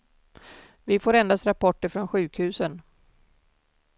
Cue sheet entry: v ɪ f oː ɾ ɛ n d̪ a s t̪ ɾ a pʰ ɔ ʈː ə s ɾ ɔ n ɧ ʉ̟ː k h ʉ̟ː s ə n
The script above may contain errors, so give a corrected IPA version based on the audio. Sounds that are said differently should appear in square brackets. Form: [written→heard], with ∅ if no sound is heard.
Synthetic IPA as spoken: v ɪ f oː ɾ ɛ n d̪ a s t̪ ɾ a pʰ ɔ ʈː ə [s→f] ɾ ɔ n ɧ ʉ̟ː k h ʉ̟ː s ə n